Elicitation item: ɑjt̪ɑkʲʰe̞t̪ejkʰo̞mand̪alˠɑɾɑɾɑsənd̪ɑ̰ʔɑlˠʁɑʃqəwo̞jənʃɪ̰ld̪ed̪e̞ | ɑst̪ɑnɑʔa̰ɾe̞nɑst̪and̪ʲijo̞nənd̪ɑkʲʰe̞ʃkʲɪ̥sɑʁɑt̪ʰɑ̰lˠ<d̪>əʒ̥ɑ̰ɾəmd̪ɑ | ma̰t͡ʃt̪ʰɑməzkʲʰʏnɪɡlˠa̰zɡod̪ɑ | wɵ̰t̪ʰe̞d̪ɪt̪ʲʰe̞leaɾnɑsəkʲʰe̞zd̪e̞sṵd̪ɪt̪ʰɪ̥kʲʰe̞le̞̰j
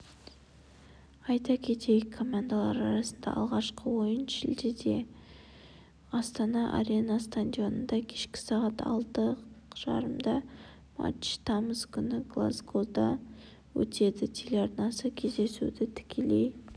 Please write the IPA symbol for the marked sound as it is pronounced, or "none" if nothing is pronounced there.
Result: t̪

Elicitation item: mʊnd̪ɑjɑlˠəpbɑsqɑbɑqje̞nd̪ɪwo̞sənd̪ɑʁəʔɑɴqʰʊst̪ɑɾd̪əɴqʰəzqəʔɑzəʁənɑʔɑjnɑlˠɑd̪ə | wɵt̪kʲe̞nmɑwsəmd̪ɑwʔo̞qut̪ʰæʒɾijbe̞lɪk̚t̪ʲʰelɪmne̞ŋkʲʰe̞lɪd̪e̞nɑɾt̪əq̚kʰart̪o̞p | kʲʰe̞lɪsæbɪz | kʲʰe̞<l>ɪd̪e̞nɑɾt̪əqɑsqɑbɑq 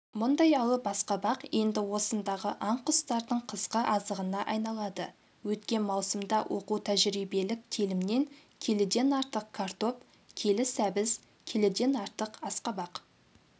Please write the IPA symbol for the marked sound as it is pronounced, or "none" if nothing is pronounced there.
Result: l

